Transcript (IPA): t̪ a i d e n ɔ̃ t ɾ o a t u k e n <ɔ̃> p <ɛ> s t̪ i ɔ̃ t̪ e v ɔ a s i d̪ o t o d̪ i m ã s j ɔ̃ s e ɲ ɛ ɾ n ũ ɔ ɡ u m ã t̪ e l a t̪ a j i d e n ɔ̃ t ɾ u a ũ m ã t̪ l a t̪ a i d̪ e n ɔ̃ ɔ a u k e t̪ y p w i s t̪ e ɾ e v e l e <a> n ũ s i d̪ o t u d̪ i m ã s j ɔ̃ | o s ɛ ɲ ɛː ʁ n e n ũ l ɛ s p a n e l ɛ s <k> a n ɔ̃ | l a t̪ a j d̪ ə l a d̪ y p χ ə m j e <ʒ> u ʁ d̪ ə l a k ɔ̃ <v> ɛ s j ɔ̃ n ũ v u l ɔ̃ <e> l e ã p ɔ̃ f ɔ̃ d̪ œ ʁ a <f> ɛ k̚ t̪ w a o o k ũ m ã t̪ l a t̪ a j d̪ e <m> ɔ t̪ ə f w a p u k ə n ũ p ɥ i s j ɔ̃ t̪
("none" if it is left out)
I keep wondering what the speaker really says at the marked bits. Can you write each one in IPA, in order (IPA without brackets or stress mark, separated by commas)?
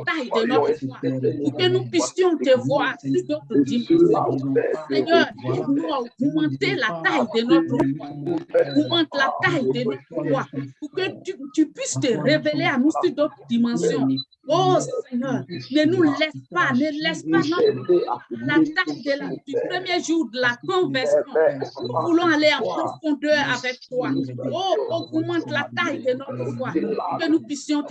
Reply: ũ, i, a, p, ʒ, v, a, v, n